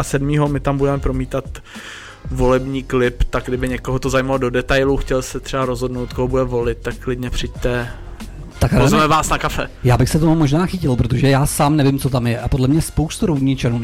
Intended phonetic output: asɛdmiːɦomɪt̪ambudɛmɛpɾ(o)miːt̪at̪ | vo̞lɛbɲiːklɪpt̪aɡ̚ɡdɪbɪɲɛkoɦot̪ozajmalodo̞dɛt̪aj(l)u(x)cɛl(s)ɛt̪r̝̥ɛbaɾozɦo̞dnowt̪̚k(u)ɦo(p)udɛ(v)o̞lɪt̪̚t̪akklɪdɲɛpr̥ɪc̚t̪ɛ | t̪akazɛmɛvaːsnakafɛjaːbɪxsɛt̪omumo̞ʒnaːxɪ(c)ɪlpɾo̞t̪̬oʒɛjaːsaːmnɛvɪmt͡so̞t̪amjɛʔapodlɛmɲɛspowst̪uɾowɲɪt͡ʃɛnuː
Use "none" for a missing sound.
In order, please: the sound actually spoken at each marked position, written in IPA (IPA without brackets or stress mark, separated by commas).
o, l, x, s, o, b, v, c